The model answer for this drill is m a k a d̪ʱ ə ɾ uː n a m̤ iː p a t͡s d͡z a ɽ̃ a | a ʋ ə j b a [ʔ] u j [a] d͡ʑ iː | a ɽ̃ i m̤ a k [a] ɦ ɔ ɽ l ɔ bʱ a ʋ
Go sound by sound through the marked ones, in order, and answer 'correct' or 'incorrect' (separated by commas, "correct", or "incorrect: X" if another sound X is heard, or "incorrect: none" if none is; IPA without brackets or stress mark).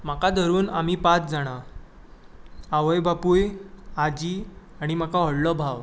incorrect: p, correct, correct